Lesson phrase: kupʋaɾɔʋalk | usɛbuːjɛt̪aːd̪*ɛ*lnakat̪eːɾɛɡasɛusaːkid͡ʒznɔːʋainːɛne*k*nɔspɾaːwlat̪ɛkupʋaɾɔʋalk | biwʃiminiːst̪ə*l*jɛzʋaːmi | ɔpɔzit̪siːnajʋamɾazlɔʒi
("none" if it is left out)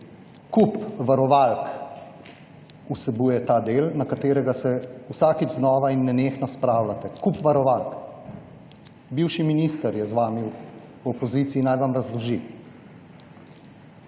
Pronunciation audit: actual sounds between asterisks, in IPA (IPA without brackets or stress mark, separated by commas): e, x, ɾ